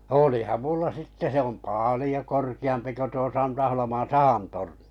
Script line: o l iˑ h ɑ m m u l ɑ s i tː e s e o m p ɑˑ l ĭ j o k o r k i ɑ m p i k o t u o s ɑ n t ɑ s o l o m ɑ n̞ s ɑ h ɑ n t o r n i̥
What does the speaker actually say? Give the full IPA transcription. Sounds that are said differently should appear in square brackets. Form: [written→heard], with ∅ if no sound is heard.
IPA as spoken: o l iˑ h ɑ m m u [l→lː] ɑ s i tː e s e o m p ɑˑ l ĭ j o k o r k i ɑ m p i k o t u o s ɑ n t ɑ [s→h] o l o m ɑ n̞ s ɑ h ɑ n t o r n i̥